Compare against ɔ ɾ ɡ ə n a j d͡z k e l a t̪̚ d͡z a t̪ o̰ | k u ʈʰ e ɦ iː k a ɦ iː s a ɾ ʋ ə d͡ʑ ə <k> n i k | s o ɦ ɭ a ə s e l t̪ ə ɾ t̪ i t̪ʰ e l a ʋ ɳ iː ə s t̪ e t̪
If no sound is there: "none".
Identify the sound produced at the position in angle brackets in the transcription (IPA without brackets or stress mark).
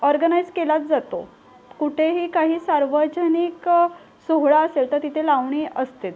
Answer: none